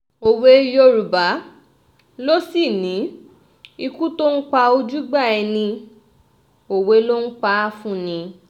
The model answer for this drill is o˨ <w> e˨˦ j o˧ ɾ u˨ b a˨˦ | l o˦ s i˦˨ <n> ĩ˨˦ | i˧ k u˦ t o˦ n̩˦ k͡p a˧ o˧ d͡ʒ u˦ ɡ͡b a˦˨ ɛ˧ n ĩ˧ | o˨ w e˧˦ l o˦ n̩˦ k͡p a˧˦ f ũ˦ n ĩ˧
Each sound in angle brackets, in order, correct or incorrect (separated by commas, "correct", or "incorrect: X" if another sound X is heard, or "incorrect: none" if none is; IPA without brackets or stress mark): correct, correct